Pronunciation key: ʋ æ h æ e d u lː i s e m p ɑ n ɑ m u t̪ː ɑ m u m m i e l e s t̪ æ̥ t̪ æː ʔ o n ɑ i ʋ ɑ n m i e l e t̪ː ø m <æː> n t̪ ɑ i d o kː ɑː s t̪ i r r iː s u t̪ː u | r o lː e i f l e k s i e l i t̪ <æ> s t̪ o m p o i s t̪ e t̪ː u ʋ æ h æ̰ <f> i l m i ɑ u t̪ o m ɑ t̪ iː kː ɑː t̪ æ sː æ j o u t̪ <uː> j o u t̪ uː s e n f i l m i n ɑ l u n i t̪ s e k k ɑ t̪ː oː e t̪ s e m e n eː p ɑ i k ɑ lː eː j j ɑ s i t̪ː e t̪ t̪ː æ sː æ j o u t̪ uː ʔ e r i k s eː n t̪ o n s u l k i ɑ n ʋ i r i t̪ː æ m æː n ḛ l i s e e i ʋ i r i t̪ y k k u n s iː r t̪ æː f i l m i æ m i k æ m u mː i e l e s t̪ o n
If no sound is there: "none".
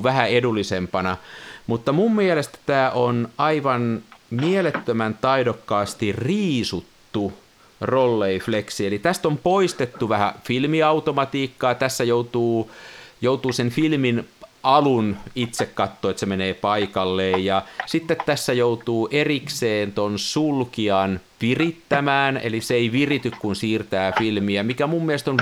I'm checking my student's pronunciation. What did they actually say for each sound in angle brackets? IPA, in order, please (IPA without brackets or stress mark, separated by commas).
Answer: æ, æ, f, uː